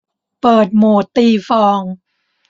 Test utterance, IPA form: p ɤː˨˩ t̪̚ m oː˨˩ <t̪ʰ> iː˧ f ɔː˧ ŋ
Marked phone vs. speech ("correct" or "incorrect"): incorrect